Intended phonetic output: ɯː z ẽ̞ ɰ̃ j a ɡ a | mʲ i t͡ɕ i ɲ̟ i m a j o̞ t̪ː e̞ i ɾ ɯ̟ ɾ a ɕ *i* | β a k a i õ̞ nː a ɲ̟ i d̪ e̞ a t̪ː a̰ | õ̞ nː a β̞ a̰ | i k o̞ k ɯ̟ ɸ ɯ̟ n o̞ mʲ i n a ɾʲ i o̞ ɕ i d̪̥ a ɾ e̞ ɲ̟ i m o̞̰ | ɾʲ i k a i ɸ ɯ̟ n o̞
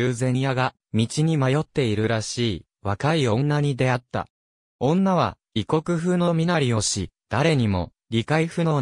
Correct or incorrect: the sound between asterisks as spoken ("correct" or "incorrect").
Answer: incorrect